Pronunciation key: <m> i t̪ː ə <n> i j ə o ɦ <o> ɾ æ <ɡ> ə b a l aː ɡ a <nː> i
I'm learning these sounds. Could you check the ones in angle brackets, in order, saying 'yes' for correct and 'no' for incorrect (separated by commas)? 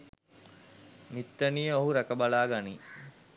yes, yes, no, no, no